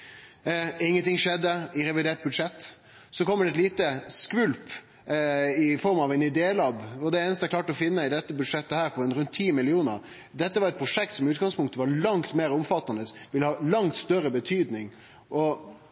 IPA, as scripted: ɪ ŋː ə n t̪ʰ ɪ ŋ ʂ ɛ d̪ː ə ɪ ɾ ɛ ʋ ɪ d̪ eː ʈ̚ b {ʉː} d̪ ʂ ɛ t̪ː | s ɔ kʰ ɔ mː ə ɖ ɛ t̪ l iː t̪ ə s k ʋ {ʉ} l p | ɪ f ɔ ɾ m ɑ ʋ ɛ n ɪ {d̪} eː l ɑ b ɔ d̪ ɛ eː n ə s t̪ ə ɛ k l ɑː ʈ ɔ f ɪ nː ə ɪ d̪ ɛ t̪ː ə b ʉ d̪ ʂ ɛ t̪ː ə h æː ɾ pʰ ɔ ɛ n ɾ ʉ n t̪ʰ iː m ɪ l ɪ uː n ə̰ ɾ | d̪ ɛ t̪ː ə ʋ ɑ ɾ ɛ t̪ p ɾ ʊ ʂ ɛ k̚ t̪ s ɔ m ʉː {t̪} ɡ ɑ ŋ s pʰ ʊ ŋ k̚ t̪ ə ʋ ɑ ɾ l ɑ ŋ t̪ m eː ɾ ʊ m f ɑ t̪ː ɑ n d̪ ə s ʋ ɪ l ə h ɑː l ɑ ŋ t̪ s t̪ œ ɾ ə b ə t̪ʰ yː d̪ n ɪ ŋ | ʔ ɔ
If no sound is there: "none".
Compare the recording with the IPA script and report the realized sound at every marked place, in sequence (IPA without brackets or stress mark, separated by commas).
ʉ, ʉ, d̪, t̪